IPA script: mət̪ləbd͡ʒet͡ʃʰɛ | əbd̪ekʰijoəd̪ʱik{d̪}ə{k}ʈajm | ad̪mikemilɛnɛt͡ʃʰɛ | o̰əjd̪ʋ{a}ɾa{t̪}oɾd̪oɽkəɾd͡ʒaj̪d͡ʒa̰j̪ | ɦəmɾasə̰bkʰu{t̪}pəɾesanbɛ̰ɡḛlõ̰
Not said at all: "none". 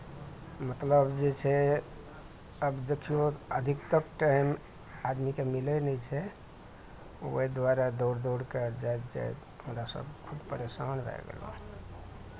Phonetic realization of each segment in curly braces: t̪, k, a, d̪, d̪

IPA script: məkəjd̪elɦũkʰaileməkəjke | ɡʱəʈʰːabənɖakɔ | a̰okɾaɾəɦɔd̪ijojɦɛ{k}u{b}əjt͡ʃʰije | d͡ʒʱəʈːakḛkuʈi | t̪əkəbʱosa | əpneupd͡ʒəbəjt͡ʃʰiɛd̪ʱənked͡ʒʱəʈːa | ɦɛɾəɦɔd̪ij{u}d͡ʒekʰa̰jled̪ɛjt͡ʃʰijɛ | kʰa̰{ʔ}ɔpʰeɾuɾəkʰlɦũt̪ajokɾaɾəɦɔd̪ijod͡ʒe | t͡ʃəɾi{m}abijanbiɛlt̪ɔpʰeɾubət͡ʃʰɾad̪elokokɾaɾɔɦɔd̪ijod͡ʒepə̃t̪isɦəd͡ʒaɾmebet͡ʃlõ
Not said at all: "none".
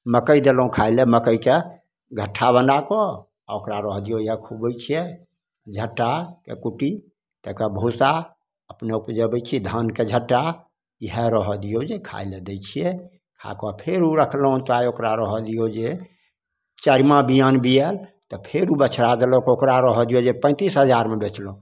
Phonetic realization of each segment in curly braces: kʰ, b, o, k, m

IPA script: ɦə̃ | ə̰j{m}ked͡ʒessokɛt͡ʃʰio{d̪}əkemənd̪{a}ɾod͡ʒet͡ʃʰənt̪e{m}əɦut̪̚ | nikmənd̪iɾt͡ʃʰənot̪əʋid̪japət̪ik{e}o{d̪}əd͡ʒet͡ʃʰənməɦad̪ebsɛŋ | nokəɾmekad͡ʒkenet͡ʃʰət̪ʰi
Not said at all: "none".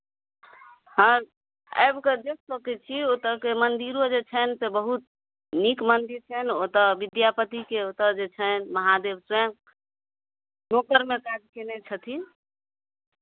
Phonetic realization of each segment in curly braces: b, t̪, i, b, e, t̪

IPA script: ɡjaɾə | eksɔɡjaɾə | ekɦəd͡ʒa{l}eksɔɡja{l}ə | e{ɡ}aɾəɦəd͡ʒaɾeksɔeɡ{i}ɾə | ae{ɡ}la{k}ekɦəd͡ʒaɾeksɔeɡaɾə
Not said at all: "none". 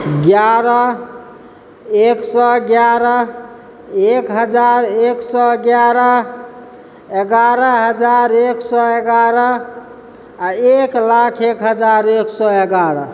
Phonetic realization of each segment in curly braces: ɾ, ɾ, ɡ, a, k, kʰ

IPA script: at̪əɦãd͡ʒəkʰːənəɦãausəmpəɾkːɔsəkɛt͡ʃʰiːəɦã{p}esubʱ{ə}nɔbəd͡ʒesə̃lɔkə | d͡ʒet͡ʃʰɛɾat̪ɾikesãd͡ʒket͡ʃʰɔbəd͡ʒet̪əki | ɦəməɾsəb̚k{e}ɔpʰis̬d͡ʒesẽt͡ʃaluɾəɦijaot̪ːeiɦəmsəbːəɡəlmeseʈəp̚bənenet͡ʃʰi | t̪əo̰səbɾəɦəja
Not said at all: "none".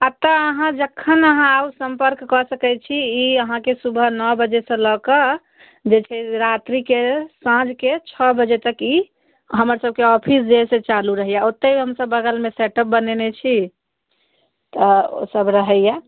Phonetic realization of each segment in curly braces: k, ə, e

